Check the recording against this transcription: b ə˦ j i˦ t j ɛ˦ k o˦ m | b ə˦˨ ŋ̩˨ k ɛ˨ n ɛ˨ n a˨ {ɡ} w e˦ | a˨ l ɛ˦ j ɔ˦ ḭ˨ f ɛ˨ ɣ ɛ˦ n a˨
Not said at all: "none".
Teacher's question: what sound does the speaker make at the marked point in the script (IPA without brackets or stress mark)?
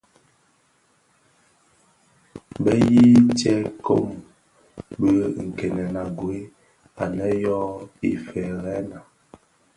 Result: ɡ